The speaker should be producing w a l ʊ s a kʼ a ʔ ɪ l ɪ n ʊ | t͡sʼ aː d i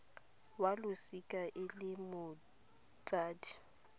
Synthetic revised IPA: w a l ʊ s i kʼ a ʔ ɪ l ɪ m ʊ | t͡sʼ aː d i